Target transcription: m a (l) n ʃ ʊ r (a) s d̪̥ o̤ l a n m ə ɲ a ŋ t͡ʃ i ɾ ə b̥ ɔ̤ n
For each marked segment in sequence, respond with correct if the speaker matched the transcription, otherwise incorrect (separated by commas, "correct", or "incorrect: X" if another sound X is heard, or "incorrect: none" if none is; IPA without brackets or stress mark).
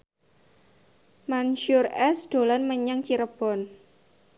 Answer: incorrect: none, incorrect: ɛ